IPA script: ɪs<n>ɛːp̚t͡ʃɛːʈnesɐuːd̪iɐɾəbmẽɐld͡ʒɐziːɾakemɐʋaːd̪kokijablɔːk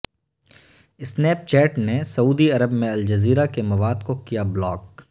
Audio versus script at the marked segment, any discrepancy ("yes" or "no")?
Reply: no